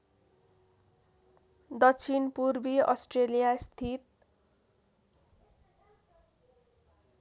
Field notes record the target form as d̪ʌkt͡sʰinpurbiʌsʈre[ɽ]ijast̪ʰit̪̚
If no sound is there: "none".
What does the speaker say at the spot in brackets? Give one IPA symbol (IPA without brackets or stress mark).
l